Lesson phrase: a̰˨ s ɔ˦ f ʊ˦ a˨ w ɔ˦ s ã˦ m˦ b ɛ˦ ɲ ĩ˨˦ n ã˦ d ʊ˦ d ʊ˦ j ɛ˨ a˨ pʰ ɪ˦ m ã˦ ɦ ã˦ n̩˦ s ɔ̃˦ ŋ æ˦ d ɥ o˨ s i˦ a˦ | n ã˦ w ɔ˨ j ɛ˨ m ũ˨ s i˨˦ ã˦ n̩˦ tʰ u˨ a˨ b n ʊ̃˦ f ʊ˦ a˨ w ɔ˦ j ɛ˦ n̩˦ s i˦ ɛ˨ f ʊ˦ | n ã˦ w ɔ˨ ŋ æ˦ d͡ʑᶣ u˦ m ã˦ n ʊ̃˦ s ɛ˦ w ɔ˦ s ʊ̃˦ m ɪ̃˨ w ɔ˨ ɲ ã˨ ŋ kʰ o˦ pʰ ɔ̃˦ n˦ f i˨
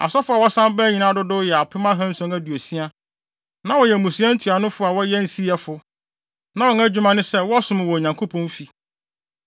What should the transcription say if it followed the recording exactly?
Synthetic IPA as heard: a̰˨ s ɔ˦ f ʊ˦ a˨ w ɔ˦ s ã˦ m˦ b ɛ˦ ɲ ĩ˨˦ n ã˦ d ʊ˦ d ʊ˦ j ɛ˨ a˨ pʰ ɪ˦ m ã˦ ɦ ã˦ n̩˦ s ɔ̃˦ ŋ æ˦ d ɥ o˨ s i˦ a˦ | n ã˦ w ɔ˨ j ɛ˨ m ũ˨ s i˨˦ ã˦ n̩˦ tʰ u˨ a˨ n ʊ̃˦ f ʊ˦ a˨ w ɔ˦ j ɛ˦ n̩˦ s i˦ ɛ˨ f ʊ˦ | n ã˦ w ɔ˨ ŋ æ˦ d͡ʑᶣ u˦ m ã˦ n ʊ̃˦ s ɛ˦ w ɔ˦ s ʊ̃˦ m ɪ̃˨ w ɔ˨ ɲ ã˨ ŋ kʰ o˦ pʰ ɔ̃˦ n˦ f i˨